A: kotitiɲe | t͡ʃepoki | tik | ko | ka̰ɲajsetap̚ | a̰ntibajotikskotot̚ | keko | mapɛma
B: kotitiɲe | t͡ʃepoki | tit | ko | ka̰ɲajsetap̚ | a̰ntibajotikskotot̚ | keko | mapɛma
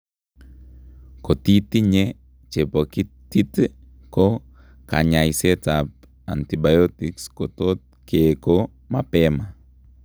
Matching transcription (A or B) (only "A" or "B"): B